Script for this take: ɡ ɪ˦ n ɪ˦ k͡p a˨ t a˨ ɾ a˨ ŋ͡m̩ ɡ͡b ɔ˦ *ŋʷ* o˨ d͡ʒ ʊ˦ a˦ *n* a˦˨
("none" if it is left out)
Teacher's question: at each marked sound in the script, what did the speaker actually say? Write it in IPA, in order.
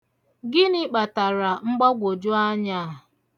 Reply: ɡʷ, ɲ

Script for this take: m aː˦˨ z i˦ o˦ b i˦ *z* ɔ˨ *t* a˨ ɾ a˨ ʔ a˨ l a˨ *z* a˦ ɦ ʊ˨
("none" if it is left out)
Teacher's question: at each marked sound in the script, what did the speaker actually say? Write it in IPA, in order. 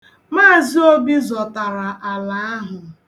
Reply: z, t, none

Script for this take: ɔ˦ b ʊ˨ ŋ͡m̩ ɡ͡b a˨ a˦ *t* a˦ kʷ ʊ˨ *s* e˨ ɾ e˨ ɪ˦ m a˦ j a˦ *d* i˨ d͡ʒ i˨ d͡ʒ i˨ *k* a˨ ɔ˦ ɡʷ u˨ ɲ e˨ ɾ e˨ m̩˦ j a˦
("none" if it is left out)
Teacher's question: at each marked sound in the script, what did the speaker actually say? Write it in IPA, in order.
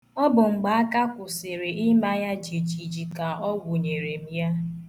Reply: k, s, d͡ʒ, k

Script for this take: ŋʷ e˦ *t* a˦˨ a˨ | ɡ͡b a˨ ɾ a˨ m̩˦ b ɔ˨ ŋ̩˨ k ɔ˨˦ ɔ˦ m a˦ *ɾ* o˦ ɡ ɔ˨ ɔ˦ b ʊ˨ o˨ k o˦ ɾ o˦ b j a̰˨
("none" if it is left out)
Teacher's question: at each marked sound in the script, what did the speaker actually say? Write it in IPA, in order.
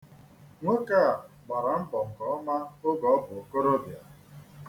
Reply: k, none

